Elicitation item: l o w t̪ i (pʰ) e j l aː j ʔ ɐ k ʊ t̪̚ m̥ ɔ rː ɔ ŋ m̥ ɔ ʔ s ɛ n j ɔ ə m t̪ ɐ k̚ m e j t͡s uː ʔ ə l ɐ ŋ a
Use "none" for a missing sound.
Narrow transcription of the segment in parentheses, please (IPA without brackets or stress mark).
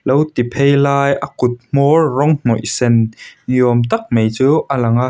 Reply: pʰ